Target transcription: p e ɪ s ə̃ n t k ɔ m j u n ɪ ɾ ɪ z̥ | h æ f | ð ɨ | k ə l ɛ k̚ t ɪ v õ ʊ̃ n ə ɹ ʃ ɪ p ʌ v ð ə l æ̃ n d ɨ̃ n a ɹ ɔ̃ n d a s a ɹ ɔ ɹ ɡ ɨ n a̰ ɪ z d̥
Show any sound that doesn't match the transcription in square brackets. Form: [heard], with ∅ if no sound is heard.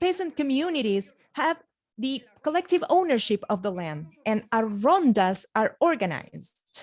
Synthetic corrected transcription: p e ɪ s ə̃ n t k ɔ m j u n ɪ ɾ [i] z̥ | h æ [v] | ð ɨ | k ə l ɛ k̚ t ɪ v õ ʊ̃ n ə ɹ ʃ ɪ p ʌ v ð ə l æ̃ n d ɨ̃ n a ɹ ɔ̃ n d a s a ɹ ɔ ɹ ɡ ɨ n a̰ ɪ z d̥